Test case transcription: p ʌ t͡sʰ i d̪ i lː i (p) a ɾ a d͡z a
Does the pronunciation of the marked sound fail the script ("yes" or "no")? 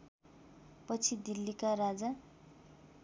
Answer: yes